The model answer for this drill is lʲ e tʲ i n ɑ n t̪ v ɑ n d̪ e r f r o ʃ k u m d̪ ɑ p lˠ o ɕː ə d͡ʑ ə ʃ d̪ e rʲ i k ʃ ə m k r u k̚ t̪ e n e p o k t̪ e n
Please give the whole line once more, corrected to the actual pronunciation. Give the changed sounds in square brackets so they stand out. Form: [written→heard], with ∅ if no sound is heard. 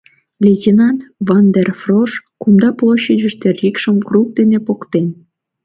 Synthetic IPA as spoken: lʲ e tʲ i n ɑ n t̪ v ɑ n d̪ e r f r o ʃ k u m d̪ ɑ p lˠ o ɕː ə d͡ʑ ə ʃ [d̪→t̪] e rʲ i k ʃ ə m k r u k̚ [t̪→d̪] e n e p o k t̪ e n